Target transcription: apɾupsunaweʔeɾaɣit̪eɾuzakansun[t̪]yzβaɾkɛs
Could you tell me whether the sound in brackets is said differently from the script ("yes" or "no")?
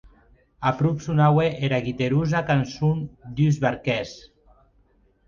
yes